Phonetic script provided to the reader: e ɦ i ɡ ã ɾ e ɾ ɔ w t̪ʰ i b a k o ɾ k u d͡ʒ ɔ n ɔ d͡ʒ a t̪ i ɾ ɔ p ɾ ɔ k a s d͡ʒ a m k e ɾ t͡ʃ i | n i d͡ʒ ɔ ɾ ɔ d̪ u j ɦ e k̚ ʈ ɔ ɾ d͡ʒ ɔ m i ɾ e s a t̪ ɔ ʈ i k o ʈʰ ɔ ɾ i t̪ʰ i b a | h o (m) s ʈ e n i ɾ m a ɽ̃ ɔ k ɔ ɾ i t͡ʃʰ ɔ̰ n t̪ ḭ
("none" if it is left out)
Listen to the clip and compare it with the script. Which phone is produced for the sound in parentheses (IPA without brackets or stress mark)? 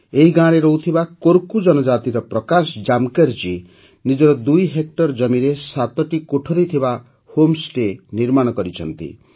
m